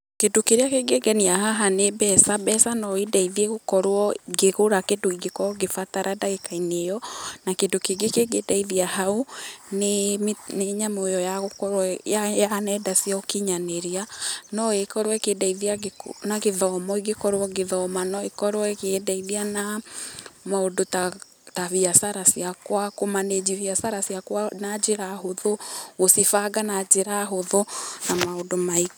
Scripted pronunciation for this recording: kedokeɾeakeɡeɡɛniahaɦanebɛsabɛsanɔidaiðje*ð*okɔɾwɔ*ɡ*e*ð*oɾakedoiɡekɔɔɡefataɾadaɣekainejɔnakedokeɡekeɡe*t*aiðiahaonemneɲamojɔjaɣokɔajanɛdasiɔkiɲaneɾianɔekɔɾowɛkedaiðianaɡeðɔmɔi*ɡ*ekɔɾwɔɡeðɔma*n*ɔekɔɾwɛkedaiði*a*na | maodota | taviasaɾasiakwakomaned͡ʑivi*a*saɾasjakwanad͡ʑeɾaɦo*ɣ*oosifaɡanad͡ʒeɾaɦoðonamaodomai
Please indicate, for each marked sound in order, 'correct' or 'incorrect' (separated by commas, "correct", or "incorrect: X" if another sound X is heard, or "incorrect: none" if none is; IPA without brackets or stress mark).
incorrect: ɣ, correct, incorrect: ɣ, incorrect: d, correct, correct, correct, correct, incorrect: ð